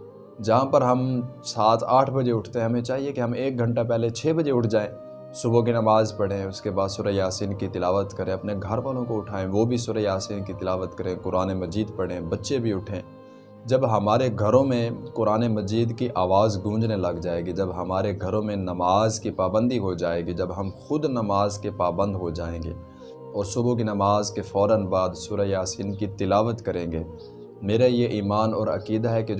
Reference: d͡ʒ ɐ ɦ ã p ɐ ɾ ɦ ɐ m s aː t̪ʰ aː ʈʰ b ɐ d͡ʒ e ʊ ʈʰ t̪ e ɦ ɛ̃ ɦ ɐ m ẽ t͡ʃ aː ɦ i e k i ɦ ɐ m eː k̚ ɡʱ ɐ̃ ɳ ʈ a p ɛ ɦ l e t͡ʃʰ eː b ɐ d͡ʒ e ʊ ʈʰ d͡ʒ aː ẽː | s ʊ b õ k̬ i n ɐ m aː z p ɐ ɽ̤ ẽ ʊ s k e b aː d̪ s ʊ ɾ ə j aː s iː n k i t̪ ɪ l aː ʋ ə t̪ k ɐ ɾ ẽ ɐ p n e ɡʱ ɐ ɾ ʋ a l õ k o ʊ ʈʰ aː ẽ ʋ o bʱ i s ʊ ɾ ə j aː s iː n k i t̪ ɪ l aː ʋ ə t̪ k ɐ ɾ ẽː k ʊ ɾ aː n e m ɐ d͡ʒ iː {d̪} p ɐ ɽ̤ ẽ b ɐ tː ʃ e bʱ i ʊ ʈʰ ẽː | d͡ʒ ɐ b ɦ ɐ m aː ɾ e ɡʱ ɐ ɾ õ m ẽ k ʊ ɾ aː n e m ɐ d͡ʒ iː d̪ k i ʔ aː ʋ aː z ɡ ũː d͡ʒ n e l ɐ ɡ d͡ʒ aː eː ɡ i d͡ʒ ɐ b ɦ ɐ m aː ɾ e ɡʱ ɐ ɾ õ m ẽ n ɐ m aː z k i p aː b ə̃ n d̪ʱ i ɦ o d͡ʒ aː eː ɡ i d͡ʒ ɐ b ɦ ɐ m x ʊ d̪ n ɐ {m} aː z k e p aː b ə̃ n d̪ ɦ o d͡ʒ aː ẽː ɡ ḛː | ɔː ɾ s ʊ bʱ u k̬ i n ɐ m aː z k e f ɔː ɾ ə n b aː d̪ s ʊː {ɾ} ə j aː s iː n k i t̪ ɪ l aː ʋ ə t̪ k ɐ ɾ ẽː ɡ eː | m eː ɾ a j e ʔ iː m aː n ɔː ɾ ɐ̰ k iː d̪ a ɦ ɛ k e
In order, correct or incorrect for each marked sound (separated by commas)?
correct, correct, correct